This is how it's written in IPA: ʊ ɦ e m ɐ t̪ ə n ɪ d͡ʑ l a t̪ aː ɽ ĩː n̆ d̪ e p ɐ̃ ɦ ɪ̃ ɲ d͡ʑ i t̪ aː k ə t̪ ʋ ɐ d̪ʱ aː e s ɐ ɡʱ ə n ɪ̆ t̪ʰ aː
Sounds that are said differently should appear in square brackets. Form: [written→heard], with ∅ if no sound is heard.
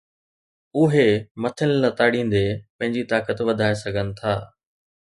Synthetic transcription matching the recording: ʊ ɦ e m ɐ [t̪→t̪ʰ] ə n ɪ [d͡ʑ→∅] l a t̪ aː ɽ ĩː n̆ d̪ e p ɐ̃ ɦ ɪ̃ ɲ d͡ʑ i t̪ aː k ə t̪ ʋ ɐ d̪ʱ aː e s ɐ ɡʱ ə n ɪ̆ t̪ʰ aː